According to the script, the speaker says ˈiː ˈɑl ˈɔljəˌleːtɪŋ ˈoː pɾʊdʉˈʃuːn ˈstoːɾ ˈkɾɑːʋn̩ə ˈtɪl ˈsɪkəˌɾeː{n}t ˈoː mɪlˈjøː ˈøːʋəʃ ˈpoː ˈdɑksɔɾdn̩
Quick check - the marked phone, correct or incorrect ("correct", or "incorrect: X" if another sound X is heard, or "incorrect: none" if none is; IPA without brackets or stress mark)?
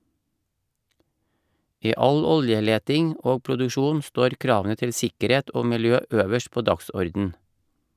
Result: incorrect: none